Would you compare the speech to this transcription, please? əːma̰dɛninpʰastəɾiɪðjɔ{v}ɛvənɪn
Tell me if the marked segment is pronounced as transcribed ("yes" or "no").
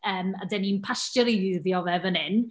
yes